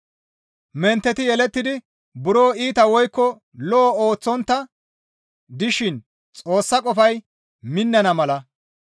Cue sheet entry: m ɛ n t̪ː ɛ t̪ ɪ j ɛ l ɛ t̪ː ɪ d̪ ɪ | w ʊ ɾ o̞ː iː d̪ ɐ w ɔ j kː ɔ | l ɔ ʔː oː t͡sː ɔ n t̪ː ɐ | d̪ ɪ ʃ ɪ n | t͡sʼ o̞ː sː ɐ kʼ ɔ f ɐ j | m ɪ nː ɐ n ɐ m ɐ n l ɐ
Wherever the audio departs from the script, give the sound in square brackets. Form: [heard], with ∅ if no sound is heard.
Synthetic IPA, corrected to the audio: m ɛ n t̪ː ɛ t̪ ɪ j ɛ l ɛ t̪ː ɪ d̪ ɪ | [b] ʊ ɾ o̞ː iː [t̪] ɐ w ɔ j kː ɔ | l ɔ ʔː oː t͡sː ɔ n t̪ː ɐ | d̪ ɪ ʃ ɪ n | t͡sʼ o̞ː sː ɐ kʼ ɔ f ɐ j | m ɪ nː ɐ n ɐ m ɐ [∅] l ɐ